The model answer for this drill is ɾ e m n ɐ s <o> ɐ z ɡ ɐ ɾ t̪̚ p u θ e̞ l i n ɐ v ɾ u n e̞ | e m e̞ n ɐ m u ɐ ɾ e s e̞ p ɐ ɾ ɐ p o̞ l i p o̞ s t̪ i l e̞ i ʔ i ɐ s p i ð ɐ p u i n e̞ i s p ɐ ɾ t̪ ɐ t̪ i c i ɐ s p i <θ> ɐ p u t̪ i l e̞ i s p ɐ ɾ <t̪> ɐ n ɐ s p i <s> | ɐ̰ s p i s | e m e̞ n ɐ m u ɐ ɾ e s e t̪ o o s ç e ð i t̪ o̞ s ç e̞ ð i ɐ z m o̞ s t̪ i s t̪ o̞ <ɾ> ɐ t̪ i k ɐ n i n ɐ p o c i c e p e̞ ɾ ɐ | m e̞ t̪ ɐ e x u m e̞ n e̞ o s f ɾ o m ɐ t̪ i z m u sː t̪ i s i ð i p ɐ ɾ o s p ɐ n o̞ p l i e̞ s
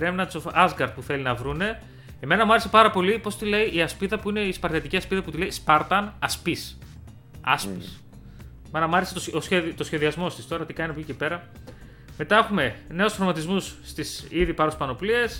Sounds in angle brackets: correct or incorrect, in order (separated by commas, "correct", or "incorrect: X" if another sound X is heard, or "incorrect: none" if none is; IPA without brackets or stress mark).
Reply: correct, incorrect: ð, correct, correct, correct